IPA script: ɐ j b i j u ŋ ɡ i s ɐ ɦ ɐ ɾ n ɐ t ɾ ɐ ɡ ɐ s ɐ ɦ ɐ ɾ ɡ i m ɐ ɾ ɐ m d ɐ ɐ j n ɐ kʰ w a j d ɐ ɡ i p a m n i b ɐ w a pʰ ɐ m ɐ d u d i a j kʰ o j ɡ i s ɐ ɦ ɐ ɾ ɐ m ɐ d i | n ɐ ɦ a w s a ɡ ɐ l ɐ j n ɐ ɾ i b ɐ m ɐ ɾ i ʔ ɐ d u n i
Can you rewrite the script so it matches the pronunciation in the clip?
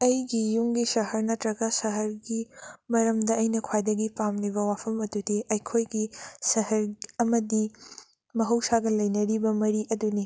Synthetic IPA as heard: ɐ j ɡ i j u ŋ ɡ i s ɐ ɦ ɐ ɾ n ɐ t ɾ ɐ ɡ ɐ s ɐ ɦ ɐ ɾ ɡ i m ɐ ɾ ɐ m d ɐ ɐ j n ɐ kʰ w a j d ɐ ɡ i p a m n i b ɐ w a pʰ ɐ m ɐ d u d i ɐ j kʰ o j ɡ i s ɐ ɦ ɐ ɾ ɐ m ɐ d i | m ɐ ɦ ɐ w s a ɡ ɐ l ɐ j n ɐ ɾ i b ɐ m ɐ ɾ i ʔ ɐ d u n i